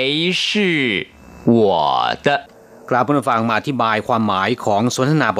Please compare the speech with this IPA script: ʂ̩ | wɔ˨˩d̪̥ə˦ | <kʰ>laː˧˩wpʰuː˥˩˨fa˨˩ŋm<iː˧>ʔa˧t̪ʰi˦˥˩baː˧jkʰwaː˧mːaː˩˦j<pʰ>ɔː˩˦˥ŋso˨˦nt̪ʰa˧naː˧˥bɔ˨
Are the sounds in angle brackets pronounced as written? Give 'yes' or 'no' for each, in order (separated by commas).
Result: no, no, no